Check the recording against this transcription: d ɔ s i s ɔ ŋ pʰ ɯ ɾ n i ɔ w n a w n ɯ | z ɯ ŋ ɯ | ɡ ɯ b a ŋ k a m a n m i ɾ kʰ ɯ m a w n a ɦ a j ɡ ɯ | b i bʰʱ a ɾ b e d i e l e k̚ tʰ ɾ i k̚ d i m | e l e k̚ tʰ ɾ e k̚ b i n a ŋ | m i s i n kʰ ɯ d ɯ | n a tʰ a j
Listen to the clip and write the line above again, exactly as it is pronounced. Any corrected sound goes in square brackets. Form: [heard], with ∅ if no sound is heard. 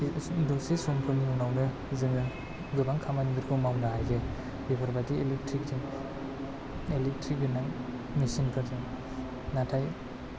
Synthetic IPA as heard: d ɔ s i s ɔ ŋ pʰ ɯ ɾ n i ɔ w n a w n ɯ | z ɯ ŋ ɯ | ɡ ɯ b a ŋ [kʰ] a m a n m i ɾ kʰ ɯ m a w n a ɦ a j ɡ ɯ | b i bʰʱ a ɾ b [a] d i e l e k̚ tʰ ɾ i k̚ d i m | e l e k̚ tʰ ɾ [i] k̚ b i n a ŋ | m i s i n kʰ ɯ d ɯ | n a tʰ a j

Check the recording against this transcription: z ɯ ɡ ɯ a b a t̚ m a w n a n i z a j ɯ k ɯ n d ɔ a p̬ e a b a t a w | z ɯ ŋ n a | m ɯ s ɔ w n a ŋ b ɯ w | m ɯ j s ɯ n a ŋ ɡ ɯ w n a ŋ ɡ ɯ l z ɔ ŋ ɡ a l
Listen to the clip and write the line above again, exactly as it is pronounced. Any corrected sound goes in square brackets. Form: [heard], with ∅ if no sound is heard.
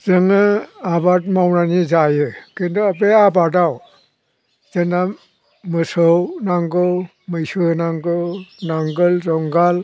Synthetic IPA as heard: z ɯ [ŋ] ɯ a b a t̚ m a w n a n i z a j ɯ k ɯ n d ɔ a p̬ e a b a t a w | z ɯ [∅] n a | m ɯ s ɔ w n a ŋ [ɡ] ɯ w | m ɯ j s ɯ n a ŋ ɡ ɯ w n a ŋ ɡ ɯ l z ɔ ŋ ɡ a l

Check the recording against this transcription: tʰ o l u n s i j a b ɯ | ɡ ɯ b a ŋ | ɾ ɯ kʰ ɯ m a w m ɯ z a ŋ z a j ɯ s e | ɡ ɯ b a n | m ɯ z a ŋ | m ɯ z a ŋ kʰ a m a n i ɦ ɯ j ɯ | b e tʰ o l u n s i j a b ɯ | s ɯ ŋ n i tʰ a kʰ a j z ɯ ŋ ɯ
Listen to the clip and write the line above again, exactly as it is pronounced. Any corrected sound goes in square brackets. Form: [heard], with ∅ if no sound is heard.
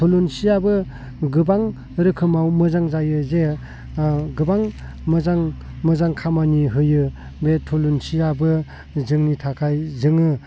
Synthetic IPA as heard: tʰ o l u n s i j a b ɯ | ɡ ɯ b a ŋ | ɾ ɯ kʰ ɯ m a w m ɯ z a ŋ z a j ɯ [z] e | ɡ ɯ b a [ŋ] | m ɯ z a ŋ | m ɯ z a ŋ kʰ a m a n i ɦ ɯ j ɯ | b e tʰ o l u n s i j a b ɯ | [z] ɯ ŋ n i tʰ a kʰ a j z ɯ ŋ ɯ

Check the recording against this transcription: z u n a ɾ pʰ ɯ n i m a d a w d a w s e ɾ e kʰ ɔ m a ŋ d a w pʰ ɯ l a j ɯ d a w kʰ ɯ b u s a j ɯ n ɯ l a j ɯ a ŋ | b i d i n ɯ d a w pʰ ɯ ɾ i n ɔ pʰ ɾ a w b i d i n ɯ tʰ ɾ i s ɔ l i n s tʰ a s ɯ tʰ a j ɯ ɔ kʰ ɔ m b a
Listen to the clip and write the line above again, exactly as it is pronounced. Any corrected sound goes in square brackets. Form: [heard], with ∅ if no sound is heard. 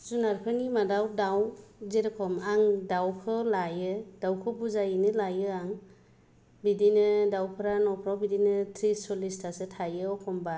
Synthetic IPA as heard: z u n a ɾ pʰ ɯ n i m a d a w d a w [z] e ɾ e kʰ ɔ m a ŋ d a w [kʰ] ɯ l a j ɯ d a w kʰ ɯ b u [z] a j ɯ n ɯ l a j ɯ a ŋ | b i d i n ɯ d a w pʰ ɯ ɾ [a] n ɔ pʰ ɾ a w b i d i n ɯ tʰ ɾ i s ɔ l i [∅] s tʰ a s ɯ tʰ a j ɯ ɔ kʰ ɔ m b a

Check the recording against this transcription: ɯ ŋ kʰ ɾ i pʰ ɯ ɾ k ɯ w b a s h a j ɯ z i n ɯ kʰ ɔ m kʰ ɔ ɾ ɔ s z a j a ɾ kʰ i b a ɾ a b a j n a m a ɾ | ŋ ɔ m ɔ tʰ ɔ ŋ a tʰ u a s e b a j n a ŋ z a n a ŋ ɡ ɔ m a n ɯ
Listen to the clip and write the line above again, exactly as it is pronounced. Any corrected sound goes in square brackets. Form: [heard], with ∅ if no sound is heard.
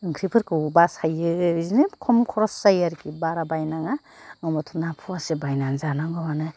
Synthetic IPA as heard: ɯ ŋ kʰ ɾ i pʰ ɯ ɾ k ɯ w b a s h a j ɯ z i n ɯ kʰ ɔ m kʰ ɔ ɾ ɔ s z a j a ɾ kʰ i b a ɾ a b a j n a [ŋ] a [∅] | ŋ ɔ m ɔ tʰ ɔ [n] a [pʰ] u a s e b a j n a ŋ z a n a ŋ ɡ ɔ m a n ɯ

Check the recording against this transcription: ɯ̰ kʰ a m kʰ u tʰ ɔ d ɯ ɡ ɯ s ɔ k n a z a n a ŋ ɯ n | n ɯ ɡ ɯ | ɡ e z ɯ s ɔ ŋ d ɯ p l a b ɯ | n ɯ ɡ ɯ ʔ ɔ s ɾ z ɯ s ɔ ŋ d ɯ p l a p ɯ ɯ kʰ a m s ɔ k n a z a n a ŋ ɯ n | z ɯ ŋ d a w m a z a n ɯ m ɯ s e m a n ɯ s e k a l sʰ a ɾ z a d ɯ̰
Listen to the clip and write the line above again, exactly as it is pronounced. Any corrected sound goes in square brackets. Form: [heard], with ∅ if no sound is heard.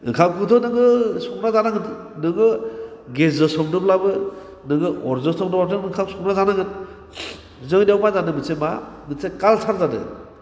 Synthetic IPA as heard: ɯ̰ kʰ a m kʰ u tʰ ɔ [n] ɯ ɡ ɯ s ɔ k n a z a n a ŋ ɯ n | n ɯ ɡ ɯ | ɡ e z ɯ s ɔ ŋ d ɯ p l a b ɯ | n ɯ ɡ ɯ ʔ ɔ [∅] ɾ z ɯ s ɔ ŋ d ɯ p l a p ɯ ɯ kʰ a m s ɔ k n a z a n a ŋ ɯ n | z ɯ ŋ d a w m a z a n ɯ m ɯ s e m a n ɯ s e k a l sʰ a ɾ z a d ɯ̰

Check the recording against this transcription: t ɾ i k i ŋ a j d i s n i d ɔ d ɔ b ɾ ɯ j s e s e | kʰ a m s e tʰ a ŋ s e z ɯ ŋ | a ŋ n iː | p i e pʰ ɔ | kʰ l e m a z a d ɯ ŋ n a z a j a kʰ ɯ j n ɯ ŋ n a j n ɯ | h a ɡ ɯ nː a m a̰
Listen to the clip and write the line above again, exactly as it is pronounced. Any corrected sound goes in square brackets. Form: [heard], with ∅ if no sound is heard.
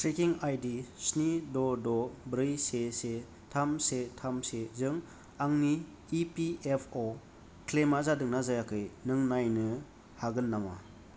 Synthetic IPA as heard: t ɾ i k i ŋ a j d i s n i d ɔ d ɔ b ɾ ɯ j s e s e | [tʰ] a m s e tʰ a [m] s e z ɯ ŋ | a ŋ n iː | p i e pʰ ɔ | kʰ l e m a z a d ɯ ŋ n a z a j a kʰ ɯ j n ɯ ŋ n a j n ɯ | h a ɡ ɯ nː a m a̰

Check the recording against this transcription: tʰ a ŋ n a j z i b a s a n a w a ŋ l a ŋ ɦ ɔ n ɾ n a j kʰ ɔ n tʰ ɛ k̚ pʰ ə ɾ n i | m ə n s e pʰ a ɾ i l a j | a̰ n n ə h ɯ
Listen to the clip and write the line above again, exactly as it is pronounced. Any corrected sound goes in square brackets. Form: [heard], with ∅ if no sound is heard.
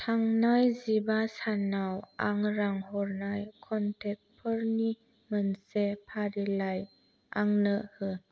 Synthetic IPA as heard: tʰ a ŋ n a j z i b a s a n a w a ŋ [ɾ] a ŋ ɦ ɔ [∅] ɾ n a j kʰ ɔ n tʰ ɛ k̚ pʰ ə ɾ n i | m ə n s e pʰ a ɾ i l a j | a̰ [ŋ] n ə h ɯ

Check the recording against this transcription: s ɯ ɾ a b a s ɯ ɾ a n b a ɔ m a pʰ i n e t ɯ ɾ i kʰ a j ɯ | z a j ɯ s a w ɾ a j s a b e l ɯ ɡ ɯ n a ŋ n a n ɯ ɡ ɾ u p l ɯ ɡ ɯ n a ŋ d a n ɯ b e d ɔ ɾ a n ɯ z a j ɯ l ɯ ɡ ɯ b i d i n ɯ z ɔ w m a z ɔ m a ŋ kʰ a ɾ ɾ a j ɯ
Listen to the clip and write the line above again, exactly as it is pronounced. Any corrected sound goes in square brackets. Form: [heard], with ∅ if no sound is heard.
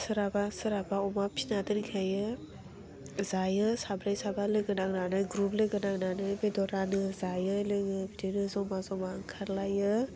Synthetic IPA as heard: s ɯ ɾ a b a s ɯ ɾ a [∅] b a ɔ m a pʰ i n [a] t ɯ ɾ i kʰ a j ɯ | z a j ɯ s a [b] ɾ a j s a b [a] l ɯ ɡ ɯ n a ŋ n a n ɯ ɡ ɾ u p l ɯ ɡ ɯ n a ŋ [n] a n ɯ b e d ɔ ɾ a n ɯ z a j ɯ l ɯ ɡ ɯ b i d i n ɯ z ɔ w m a z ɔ m a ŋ kʰ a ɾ [l] a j ɯ

